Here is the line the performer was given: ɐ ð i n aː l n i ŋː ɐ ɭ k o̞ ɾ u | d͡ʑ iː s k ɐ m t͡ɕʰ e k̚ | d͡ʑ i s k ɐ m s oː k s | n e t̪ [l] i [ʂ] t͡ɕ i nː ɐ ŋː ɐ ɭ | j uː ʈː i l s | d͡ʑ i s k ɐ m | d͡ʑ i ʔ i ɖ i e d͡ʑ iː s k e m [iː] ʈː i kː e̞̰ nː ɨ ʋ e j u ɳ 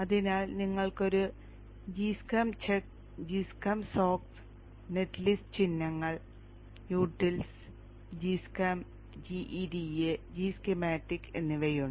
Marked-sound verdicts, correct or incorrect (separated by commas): correct, incorrect, incorrect